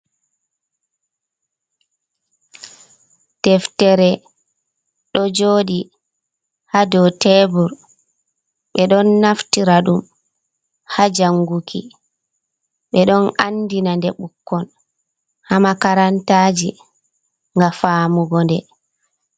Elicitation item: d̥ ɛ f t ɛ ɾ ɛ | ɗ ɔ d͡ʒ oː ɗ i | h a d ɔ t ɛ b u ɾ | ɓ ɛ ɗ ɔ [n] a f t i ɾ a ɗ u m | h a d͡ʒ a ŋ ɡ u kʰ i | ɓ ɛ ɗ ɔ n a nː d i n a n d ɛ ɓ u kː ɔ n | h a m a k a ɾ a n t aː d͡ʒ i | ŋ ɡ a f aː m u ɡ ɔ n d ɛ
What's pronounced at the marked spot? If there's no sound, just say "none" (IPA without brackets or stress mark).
nː